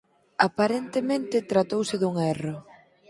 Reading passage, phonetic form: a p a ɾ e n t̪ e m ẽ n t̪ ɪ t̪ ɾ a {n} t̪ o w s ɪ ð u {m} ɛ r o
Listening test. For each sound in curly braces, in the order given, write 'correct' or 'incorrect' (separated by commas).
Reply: incorrect, incorrect